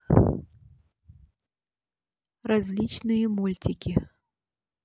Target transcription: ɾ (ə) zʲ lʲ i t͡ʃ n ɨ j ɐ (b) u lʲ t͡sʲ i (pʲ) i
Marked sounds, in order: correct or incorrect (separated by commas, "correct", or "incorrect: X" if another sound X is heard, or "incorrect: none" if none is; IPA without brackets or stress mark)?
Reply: incorrect: a, incorrect: m, incorrect: kʲ